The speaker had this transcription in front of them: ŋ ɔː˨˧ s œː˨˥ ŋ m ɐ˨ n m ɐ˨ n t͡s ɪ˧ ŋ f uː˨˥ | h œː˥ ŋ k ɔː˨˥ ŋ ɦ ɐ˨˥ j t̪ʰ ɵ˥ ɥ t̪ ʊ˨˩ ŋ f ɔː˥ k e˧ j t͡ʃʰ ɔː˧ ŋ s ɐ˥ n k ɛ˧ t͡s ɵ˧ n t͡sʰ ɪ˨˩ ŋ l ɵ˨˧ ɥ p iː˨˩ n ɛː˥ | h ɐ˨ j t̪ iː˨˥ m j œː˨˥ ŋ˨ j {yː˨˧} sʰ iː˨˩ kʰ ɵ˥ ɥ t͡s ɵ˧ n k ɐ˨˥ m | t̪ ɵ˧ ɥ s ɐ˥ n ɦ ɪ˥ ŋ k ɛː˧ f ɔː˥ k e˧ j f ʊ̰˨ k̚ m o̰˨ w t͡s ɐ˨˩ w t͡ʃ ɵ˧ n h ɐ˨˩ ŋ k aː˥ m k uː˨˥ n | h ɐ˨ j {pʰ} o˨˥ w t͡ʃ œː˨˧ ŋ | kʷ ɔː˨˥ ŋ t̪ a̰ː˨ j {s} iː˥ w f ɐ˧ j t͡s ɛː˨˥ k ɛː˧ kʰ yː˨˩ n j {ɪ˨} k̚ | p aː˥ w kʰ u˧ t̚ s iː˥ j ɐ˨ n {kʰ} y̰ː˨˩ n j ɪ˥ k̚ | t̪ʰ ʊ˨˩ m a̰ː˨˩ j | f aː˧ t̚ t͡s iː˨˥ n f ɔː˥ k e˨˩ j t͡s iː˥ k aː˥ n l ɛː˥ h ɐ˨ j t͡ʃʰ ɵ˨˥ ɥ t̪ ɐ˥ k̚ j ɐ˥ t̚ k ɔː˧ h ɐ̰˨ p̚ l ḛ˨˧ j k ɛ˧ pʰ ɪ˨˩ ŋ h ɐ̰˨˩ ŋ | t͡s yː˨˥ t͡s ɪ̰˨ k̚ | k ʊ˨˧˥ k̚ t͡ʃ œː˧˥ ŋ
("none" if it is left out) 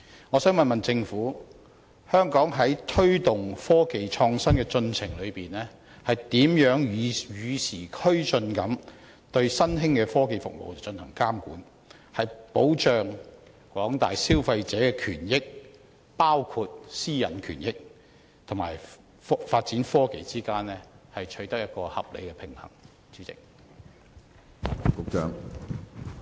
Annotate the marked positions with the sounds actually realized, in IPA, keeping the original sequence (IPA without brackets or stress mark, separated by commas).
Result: yː˨˧, p, s, ɪ˥, kʰ